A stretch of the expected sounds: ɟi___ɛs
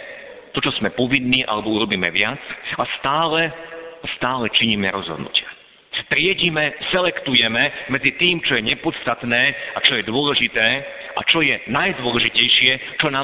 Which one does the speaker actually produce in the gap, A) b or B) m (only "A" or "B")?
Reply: B